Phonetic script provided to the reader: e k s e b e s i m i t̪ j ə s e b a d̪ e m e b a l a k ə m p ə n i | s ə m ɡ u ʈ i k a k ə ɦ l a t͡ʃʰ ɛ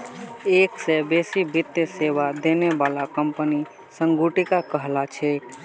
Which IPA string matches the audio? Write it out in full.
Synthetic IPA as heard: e k s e b e s i b i t̪ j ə s e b a d̪ e n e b a l a k ə m p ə n i | s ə ŋ ɡ u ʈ i k a k ə ɦ l a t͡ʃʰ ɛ